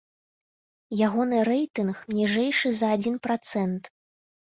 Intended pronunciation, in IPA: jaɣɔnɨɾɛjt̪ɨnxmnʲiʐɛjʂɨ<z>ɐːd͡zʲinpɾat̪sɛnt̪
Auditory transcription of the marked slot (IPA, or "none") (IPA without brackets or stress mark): z